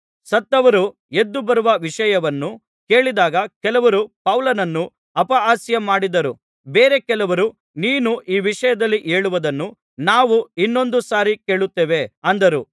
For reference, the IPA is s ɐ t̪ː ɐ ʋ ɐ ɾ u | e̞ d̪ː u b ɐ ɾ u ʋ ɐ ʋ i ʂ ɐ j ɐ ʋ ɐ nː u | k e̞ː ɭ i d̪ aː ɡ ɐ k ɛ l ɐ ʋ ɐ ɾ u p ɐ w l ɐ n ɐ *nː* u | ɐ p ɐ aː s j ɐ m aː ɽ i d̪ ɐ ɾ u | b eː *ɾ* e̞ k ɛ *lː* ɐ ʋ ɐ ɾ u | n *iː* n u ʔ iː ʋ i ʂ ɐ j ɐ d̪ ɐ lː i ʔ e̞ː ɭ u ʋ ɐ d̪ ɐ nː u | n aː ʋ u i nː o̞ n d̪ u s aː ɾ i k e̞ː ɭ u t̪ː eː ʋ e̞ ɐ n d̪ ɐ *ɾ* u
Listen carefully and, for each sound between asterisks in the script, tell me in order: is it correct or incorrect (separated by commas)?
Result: correct, correct, incorrect, correct, correct